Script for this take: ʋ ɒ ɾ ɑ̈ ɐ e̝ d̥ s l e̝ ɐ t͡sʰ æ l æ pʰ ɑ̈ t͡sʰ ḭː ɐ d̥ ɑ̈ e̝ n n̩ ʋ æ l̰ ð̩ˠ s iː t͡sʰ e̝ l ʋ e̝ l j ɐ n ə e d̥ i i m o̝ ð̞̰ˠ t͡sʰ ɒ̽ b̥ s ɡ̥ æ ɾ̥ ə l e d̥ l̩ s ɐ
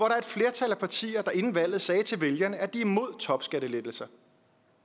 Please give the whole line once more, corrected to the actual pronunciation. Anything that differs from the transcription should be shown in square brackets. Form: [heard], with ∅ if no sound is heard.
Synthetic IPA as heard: ʋ ɒ ɾ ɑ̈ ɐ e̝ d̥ [f] l e̝ ɐ t͡sʰ æ l æ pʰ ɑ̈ t͡sʰ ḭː ɐ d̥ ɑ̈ e̝ n n̩ ʋ æ l̰ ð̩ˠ s [ɛː] t͡sʰ e̝ l ʋ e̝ l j ɐ n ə [æ] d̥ i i m o̝ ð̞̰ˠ t͡sʰ ɒ̽ b̥ s ɡ̥ æ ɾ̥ ə l e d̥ l̩ s ɐ